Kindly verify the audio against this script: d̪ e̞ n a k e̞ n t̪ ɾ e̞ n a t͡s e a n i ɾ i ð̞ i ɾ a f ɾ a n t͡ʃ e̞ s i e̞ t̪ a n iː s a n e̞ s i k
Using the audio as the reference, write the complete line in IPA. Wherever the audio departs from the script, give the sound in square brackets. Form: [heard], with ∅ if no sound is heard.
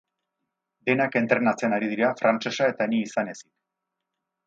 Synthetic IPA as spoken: d̪ e̞ n a k e̞ n t̪ ɾ e̞ n a t͡s e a n [a] ɾ i ð̞ i ɾ a f ɾ a n t͡ʃ e̞ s [a] e̞ t̪ a n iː s a n e̞ s i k